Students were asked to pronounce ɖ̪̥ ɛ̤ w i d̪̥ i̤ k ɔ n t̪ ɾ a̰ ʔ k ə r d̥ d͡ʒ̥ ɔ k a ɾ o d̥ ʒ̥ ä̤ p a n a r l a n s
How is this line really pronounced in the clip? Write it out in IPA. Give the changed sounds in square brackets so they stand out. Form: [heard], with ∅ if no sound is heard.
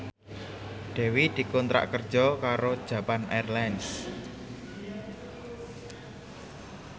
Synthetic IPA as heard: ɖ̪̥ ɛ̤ w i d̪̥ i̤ k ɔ n t̪ ɾ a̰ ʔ k ə r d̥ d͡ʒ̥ ɔ k a ɾ o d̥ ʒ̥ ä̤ p a n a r l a n s